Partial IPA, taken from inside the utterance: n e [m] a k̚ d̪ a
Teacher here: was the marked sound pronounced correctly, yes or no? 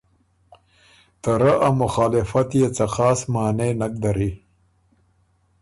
no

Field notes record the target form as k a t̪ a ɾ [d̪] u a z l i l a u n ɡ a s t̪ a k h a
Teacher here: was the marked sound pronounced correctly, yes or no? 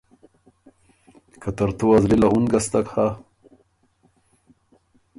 no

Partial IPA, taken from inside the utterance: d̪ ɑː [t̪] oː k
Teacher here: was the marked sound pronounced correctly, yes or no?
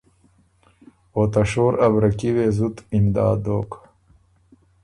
no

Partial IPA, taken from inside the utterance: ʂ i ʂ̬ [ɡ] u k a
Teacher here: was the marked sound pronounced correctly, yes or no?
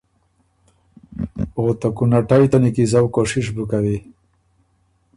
no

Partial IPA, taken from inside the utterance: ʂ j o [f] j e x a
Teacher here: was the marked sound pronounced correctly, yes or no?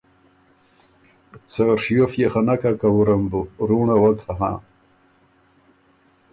yes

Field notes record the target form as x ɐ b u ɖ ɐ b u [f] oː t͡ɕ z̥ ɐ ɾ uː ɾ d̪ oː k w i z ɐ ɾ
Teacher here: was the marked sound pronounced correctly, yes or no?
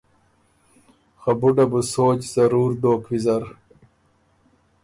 no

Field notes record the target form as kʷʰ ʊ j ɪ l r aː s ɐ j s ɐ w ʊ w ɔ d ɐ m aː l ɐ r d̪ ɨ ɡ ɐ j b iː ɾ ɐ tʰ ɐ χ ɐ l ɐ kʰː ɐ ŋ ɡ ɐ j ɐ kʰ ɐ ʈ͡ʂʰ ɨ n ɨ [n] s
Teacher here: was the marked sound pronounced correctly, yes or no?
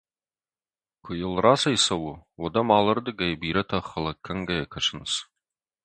no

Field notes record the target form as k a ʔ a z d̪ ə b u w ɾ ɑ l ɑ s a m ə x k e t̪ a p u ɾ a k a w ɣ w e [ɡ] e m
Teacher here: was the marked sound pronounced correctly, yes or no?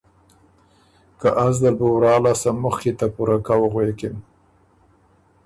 no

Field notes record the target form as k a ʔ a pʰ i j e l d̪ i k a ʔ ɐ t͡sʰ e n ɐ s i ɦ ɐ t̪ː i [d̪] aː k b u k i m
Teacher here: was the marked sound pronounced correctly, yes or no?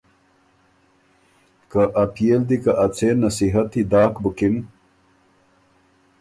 yes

